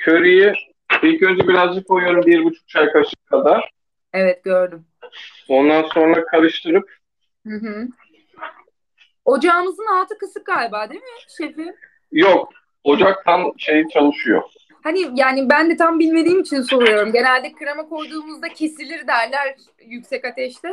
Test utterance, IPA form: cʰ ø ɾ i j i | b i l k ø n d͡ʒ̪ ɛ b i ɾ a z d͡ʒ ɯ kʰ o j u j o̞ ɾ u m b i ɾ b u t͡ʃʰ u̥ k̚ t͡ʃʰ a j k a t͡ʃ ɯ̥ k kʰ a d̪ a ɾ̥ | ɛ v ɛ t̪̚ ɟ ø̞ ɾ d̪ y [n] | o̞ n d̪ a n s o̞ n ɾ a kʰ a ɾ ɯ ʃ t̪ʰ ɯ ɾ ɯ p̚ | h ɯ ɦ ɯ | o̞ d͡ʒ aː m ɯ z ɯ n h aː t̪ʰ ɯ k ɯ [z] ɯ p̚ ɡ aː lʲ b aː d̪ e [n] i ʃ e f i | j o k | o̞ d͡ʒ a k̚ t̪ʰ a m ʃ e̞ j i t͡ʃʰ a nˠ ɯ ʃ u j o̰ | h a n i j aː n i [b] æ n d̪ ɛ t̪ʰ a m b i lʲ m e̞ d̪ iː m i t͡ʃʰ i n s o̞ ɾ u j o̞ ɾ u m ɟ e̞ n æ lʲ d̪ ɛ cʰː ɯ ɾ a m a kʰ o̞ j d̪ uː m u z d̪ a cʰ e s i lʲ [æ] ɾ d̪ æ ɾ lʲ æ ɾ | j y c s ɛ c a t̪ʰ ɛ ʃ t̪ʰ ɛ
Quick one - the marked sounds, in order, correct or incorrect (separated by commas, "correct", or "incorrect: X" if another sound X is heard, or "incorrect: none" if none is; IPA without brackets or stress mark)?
incorrect: m, incorrect: s, incorrect: m, correct, incorrect: i